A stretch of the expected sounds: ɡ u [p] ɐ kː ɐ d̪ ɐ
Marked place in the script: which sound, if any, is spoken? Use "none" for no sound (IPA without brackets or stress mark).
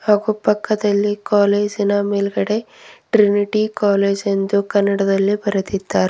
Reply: p